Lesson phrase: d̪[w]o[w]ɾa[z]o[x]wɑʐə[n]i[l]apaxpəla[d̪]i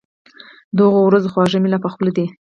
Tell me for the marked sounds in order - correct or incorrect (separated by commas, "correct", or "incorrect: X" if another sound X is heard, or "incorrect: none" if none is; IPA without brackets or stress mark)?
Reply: incorrect: ɣ, correct, correct, correct, incorrect: m, correct, correct